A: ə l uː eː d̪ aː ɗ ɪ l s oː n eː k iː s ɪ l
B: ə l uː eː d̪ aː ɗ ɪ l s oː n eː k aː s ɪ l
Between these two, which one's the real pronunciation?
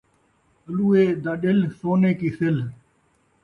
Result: A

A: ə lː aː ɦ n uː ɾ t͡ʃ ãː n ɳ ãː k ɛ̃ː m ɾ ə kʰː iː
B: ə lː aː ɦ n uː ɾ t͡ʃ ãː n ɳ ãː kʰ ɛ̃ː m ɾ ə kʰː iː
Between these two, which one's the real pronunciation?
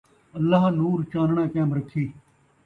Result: A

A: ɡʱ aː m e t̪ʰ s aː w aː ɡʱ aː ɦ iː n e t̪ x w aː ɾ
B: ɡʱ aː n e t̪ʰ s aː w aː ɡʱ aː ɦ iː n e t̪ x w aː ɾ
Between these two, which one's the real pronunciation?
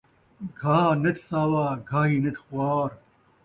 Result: B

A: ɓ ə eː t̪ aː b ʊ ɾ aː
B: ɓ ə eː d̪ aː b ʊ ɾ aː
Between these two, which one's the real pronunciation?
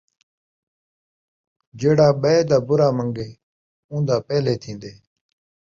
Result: B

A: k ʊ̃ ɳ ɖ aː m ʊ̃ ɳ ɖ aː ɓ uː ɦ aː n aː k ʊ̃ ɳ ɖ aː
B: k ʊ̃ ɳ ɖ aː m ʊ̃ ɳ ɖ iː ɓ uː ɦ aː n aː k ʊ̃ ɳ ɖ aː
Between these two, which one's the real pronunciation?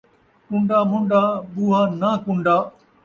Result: A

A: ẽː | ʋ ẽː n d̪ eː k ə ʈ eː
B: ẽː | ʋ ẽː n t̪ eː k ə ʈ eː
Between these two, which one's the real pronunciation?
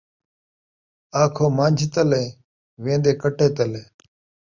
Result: A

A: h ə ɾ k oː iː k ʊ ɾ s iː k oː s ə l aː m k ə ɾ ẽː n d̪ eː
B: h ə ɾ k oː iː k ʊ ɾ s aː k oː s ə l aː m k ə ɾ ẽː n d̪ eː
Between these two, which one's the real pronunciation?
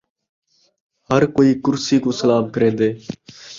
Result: A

